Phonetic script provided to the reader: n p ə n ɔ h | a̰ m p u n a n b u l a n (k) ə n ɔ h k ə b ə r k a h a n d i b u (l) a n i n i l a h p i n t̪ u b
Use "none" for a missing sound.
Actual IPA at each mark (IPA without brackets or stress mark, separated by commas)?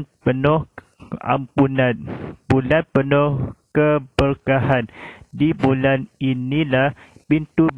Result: p, l